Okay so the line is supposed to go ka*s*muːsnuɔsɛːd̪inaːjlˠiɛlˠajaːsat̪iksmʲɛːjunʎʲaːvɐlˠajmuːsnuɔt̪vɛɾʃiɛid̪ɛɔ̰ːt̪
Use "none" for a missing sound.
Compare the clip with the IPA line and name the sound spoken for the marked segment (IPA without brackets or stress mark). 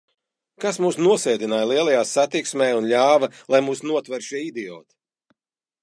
s